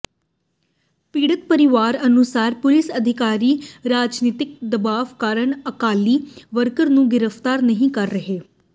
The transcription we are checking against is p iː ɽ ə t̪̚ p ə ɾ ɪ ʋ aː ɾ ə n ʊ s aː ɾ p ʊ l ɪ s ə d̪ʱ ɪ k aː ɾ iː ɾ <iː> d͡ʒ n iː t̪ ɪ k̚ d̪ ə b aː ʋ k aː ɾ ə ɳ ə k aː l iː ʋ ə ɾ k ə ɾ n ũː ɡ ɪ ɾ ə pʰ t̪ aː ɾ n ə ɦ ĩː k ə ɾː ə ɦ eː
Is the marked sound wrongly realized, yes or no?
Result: yes